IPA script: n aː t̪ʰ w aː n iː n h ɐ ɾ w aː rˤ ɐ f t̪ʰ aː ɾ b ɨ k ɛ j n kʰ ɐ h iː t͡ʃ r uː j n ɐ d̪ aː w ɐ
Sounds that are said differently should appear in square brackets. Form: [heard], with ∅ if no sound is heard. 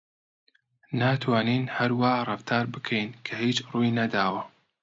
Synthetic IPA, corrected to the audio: n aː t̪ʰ w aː n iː n h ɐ ɾ w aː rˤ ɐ f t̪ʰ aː ɾ b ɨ [kʰ] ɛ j n kʰ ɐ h iː t͡ʃ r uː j n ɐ d̪ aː w ɐ